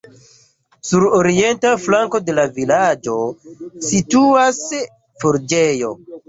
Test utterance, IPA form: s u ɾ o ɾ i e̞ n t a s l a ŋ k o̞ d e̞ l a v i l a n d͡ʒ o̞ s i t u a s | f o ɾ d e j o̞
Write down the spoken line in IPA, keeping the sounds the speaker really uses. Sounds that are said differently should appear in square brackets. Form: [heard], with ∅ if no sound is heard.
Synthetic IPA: s u ɾ o ɾ i e̞ n t a [f] l a ŋ k o̞ d e̞ l a v i l a [∅] d͡ʒ o̞ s i t u a s | f o ɾ [d͡ʒ] e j o̞